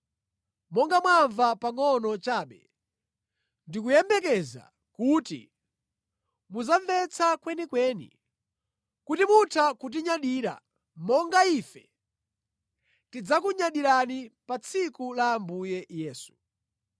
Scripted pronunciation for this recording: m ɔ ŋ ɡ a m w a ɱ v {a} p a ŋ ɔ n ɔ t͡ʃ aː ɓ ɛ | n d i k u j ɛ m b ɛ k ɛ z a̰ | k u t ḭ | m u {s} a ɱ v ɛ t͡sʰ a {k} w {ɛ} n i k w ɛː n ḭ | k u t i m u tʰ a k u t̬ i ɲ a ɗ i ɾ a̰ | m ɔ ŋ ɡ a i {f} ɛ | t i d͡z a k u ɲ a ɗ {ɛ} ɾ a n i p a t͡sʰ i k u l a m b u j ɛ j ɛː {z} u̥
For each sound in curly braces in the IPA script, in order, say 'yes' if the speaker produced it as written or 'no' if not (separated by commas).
yes, no, yes, yes, yes, no, no